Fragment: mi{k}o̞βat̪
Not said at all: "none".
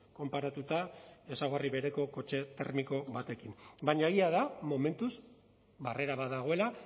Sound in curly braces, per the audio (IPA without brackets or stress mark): k